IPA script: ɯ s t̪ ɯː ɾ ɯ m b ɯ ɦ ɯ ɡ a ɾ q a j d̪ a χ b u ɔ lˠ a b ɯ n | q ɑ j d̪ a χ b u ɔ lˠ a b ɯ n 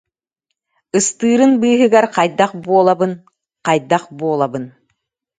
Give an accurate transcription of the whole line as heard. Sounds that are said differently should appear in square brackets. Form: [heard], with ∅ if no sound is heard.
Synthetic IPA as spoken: ɯ s t̪ ɯː ɾ ɯ [n] b [ɯː] ɦ ɯ ɡ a ɾ q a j d̪ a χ b u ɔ lˠ a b ɯ n | q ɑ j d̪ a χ b u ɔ lˠ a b ɯ n